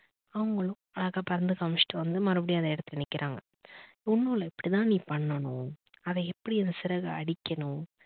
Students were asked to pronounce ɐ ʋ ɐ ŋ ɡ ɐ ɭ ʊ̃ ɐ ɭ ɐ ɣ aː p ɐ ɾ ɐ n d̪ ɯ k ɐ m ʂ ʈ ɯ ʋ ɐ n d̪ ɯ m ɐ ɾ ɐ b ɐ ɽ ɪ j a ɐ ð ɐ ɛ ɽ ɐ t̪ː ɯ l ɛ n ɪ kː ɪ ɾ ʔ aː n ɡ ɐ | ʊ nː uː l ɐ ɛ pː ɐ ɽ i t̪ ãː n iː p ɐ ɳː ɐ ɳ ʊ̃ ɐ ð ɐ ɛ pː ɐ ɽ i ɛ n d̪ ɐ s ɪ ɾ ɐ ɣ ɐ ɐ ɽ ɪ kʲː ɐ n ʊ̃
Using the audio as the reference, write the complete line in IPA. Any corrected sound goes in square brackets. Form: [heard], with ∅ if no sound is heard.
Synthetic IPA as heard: ɐ ʋ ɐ ŋ ɡ ɐ ɭ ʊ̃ ɐ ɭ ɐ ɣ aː p ɐ ɾ ɐ n d̪ ɯ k ɐ m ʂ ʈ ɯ ʋ ɐ n d̪ ɯ m ɐ ɾ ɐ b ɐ ɽ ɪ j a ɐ ð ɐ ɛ ɽ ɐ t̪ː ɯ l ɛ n ɪ kː ɪ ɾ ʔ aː [ŋ] ɡ ɐ | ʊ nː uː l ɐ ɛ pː ɐ ɽ i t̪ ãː n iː p ɐ ɳː ɐ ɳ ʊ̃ ɐ ð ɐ ɛ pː ɐ ɽ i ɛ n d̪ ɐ s ɪ ɾ ɐ ɣ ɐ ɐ ɽ ɪ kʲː ɐ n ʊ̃